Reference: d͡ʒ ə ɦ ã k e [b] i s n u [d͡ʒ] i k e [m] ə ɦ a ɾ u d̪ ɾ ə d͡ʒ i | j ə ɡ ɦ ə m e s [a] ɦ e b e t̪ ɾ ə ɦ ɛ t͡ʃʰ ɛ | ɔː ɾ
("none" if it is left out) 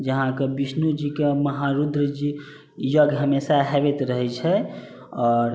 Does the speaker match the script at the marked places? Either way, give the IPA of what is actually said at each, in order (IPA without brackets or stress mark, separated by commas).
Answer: b, d͡ʒ, m, a